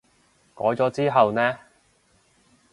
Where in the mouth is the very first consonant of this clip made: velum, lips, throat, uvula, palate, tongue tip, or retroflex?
velum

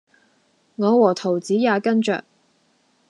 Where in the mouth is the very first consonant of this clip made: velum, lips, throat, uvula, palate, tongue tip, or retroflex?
velum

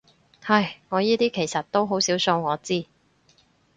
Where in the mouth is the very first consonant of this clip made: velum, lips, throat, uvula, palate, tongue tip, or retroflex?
throat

